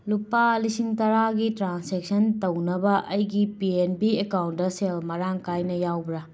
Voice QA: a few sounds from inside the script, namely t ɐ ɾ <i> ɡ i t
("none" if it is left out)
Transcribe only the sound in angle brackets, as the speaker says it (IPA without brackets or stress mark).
a